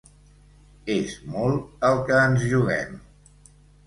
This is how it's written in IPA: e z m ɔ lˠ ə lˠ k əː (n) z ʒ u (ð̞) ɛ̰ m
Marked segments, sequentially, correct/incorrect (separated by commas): correct, incorrect